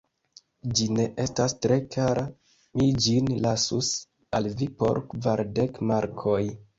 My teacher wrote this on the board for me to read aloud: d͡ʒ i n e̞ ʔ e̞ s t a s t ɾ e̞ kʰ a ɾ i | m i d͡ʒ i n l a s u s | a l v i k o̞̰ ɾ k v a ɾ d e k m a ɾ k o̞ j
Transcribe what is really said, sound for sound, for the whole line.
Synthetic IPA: d͡ʒ i n e̞ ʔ e̞ s t a s t ɾ e̞ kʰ a ɾ a | m i d͡ʒ i n l a s u s | a l v i p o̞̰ ɾ k v a ɾ d e k m a ɾ kʰ o̞ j